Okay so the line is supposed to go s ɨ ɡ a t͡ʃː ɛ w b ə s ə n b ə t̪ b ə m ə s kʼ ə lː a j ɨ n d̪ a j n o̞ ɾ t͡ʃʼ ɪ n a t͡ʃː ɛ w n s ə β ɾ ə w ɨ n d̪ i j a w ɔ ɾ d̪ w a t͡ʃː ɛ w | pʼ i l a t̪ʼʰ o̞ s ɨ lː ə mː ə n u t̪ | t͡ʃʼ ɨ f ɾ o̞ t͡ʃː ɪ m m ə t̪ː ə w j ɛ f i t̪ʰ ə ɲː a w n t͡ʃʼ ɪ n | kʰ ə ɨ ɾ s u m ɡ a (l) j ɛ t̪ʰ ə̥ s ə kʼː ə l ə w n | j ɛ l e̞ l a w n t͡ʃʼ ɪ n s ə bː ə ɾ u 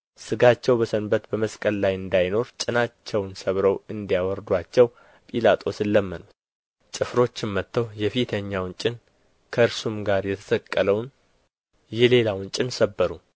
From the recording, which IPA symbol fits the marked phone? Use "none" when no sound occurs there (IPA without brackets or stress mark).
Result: ɾ